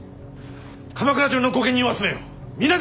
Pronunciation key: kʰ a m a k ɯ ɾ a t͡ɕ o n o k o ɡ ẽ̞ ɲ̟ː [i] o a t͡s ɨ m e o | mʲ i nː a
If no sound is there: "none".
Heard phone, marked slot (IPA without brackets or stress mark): ĩ